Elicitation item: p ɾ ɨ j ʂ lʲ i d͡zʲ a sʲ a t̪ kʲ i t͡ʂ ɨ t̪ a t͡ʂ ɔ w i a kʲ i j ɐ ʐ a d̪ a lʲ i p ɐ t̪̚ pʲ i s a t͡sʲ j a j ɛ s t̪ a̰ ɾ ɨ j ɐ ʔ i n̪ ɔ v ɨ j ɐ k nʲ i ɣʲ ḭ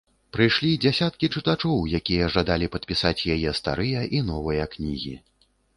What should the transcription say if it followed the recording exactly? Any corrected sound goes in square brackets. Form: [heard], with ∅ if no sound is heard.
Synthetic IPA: p ɾ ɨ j ʂ lʲ i d͡zʲ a sʲ a t̪ kʲ i t͡ʂ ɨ t̪ a t͡ʂ ɔ w [j] a kʲ i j ɐ ʐ a d̪ a lʲ i p ɐ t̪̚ pʲ i s a t͡sʲ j a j ɛ s t̪ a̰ ɾ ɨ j ɐ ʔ i n̪ ɔ v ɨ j ɐ k nʲ i ɣʲ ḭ